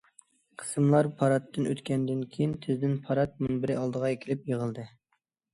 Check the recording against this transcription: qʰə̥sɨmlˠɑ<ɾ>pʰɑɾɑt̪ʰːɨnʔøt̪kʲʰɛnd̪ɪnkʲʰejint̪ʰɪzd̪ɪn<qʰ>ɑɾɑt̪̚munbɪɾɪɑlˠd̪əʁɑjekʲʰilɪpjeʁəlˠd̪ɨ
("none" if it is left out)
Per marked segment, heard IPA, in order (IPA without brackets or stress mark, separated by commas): ɾ, pʰ